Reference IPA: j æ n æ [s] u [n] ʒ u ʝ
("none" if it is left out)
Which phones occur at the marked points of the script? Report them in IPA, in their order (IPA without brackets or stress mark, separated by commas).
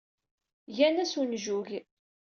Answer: s, n